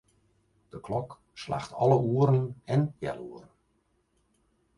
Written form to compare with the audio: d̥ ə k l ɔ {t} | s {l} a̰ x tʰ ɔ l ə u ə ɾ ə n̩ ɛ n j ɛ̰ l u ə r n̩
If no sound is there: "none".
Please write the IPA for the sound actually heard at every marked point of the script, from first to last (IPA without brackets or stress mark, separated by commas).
k, l